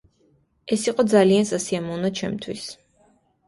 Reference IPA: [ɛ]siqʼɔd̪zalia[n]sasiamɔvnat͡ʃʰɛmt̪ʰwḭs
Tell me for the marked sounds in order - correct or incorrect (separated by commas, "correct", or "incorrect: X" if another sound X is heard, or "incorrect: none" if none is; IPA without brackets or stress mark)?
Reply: correct, correct